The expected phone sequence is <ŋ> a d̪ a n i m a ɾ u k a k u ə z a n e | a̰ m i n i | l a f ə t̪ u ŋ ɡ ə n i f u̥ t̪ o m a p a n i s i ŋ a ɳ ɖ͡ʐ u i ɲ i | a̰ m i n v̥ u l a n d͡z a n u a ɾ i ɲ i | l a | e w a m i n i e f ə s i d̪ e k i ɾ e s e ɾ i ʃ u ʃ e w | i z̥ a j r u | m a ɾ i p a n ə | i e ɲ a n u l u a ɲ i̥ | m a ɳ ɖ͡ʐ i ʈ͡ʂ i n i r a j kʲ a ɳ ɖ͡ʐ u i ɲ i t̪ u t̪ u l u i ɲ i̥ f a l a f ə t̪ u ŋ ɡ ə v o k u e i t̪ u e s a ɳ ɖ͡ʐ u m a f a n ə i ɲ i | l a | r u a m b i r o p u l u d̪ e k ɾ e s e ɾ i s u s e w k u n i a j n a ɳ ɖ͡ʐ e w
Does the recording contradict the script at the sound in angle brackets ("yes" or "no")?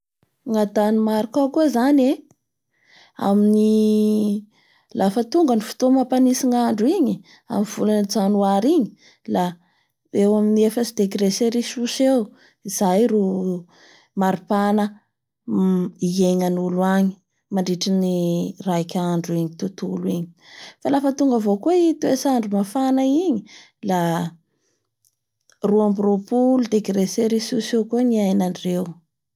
no